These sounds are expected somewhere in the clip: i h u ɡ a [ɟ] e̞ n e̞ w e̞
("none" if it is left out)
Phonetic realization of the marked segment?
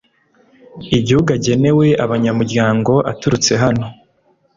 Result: ɟ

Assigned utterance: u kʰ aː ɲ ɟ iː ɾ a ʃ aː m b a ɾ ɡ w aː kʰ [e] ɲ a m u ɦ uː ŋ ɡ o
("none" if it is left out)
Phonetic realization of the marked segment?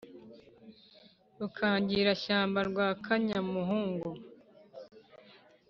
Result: a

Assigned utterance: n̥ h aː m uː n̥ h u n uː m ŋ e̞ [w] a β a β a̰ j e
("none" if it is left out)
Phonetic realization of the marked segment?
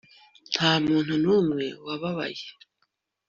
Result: w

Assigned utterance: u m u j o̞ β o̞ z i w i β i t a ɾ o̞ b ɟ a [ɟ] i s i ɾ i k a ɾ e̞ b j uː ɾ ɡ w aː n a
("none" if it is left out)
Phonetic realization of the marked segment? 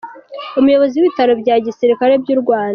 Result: ɟ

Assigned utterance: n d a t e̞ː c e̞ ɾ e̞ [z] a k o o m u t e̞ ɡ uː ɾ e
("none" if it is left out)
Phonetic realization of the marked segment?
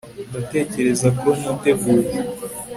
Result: z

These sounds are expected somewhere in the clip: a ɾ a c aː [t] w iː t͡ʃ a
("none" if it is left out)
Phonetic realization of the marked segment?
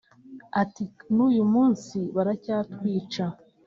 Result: t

